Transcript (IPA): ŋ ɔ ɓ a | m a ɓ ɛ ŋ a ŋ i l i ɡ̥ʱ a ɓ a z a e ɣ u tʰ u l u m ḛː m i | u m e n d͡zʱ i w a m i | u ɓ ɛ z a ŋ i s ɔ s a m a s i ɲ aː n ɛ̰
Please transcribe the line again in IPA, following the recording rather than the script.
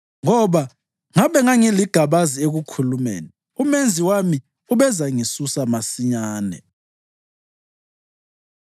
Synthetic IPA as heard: ŋ ɔ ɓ a | ŋ a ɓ ɛ ŋ a ŋ i l i ɡ̥ʱ a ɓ a z i e ɣ u kʰ u l u m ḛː n i | u m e n d͡zʱ i w a m i | u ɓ ɛ z a ŋ i s u s a m a s i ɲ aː n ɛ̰